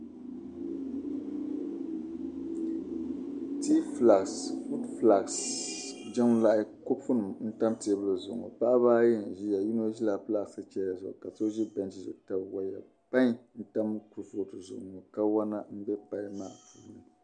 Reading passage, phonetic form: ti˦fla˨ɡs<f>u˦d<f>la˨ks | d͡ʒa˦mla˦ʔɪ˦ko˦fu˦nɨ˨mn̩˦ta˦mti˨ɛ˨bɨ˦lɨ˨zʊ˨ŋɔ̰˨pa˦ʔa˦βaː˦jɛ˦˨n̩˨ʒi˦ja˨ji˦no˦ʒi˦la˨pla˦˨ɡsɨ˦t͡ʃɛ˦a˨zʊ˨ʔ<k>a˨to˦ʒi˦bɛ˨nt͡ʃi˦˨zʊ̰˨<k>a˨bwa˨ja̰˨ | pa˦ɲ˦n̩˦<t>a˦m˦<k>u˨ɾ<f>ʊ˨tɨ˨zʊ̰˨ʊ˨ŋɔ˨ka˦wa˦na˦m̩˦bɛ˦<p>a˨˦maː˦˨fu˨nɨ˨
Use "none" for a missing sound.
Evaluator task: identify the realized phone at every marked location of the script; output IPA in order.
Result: f, f, k, t, t, k, f, p

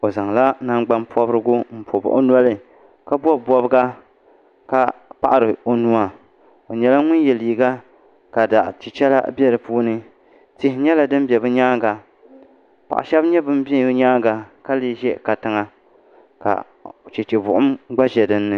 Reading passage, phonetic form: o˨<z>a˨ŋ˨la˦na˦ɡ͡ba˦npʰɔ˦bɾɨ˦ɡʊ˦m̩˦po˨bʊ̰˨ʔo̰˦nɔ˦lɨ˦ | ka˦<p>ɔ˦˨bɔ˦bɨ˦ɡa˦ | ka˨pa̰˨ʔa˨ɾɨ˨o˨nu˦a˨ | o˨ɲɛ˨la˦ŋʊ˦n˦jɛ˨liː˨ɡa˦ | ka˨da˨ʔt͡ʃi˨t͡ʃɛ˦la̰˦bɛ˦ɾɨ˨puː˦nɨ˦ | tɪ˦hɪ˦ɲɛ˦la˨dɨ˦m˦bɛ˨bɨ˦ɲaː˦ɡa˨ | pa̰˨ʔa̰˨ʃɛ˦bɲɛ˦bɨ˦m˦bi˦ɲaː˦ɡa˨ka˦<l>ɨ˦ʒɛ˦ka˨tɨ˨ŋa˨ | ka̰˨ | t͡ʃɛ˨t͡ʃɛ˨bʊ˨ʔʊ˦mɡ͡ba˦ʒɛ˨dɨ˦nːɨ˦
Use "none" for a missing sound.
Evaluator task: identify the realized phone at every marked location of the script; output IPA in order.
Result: z, b, l

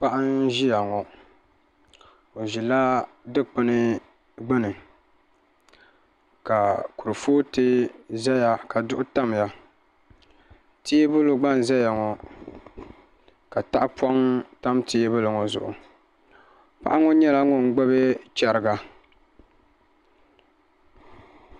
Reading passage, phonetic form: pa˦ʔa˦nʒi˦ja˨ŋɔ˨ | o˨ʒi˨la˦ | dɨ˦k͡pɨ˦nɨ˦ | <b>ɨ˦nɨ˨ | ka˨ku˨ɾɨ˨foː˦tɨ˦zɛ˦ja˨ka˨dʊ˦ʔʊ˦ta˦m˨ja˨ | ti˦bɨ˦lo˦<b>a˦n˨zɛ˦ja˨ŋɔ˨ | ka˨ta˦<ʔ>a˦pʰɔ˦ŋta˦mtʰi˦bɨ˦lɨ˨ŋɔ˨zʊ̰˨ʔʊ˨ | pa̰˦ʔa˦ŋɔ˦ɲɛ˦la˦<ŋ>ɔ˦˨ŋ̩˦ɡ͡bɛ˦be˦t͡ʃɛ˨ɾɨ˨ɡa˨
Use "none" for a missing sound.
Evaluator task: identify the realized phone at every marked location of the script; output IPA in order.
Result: ɡ͡b, ɡ͡b, ʔ, ŋ

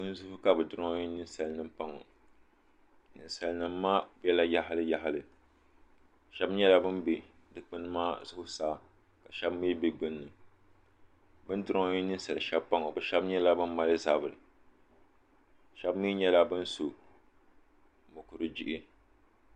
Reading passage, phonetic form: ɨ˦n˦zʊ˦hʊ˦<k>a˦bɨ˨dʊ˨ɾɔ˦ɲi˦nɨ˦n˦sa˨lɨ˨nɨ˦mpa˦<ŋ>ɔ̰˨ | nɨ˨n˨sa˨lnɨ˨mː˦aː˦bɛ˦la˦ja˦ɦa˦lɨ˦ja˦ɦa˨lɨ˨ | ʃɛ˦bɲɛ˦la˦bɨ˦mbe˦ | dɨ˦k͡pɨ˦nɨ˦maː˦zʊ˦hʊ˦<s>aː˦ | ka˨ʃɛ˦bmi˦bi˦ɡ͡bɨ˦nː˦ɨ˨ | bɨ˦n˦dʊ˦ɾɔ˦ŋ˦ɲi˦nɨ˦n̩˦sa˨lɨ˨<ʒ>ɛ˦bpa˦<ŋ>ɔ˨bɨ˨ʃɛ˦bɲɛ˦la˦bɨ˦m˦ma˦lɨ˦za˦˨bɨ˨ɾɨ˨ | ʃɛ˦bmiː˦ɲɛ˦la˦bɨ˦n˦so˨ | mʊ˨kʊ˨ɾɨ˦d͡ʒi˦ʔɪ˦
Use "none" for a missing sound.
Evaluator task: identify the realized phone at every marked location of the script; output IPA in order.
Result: k, ŋ, s, ʃ, ŋ

